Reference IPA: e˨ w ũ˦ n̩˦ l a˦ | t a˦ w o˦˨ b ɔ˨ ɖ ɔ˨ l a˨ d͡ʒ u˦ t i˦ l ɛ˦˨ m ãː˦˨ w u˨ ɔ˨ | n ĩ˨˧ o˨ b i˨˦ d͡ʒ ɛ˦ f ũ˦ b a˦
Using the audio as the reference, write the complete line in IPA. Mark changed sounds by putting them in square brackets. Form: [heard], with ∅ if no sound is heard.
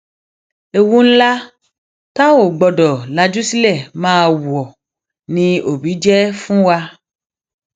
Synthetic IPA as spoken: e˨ w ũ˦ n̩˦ l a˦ | t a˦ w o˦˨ [ɡ͡b] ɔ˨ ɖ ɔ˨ l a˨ d͡ʒ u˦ [s] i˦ l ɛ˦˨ m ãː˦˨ w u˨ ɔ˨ | n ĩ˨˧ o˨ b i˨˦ d͡ʒ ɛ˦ f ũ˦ [w] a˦